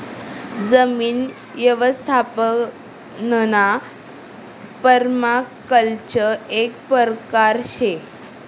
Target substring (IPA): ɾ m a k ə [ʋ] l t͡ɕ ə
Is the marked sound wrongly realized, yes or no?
yes